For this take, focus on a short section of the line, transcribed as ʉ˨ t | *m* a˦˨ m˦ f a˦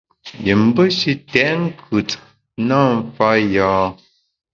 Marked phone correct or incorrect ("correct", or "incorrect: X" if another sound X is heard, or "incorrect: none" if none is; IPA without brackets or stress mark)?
incorrect: n